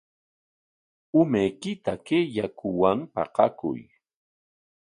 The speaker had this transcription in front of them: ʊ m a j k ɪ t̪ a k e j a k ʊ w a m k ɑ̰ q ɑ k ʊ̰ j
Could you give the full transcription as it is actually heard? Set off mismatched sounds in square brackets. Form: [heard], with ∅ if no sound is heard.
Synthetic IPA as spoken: ʊ m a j k ɪ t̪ a k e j a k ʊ w a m [p] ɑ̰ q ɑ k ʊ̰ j

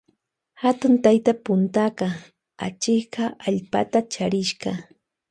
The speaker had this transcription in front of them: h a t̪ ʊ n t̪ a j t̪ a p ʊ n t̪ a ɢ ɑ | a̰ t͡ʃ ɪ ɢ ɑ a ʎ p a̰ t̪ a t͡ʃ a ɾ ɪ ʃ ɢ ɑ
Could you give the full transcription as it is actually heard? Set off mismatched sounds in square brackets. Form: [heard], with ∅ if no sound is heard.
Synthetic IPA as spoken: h a t̪ ʊ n t̪ a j t̪ a p ʊ n t̪ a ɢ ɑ | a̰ t͡ʃ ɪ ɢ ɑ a ʎ p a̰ t̪ a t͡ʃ a ɾ ɪ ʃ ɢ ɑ

